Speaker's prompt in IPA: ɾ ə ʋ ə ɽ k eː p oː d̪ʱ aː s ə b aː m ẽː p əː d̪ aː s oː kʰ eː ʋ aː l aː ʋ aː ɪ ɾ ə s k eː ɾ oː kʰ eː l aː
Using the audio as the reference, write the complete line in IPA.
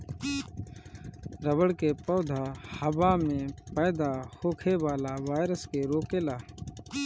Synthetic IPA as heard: ɾ ə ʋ ə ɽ k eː p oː d̪ʱ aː h ə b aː m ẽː p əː d̪ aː h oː kʰ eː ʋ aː l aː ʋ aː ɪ ɾ ə s k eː ɾ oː k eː l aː